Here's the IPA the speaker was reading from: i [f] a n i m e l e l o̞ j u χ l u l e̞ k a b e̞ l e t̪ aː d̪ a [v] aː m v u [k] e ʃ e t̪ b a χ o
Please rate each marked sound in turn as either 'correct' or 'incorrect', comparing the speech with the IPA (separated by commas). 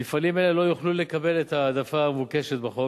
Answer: correct, incorrect, correct